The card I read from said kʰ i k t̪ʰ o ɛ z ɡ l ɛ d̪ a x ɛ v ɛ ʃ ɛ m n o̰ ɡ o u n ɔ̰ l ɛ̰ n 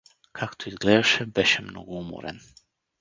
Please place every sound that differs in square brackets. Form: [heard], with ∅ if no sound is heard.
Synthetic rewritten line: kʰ [a] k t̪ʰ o [i] z ɡ l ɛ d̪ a [ʃ] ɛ [b] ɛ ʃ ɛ m n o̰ ɡ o u [m] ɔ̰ [ɾ] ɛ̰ n